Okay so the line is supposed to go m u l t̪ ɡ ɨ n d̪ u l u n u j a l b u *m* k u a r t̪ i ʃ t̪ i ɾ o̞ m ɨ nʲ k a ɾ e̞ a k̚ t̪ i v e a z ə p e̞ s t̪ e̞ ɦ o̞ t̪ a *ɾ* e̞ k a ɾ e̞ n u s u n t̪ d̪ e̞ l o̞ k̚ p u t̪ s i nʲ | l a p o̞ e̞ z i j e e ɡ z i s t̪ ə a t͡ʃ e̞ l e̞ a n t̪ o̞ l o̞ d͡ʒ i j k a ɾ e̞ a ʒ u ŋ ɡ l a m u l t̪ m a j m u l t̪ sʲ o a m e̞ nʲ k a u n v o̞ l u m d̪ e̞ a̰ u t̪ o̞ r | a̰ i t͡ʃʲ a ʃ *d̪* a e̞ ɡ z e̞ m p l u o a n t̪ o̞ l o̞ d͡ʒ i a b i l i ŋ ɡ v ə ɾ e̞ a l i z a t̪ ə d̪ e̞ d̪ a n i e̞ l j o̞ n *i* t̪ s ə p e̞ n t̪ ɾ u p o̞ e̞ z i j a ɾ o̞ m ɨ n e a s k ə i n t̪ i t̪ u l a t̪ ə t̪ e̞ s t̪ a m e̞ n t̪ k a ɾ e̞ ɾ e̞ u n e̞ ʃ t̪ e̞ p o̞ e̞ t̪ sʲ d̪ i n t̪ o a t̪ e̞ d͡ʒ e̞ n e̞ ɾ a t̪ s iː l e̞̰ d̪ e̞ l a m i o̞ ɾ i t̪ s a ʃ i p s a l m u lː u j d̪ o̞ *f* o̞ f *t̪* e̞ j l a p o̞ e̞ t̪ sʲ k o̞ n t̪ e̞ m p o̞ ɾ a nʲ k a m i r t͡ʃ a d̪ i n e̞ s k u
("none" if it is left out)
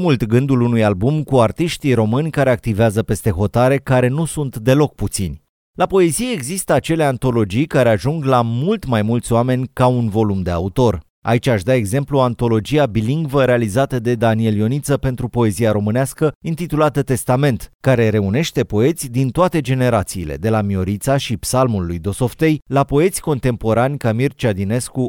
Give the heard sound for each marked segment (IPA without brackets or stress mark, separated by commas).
m, ɾ, d̪, i, s, t̪